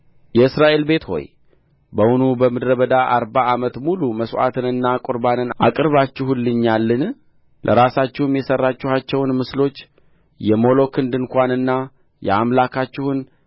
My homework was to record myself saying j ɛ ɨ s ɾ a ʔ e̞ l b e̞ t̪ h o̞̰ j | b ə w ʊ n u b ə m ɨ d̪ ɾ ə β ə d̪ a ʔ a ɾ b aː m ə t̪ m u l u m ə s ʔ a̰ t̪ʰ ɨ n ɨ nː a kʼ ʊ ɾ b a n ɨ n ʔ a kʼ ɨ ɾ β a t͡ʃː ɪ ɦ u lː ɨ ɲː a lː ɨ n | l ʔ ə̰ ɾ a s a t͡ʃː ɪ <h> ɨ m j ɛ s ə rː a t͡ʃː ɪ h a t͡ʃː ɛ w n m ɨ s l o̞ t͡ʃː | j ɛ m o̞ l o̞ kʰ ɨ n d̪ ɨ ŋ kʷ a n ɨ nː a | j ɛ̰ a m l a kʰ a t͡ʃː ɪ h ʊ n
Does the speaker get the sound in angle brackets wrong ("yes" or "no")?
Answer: no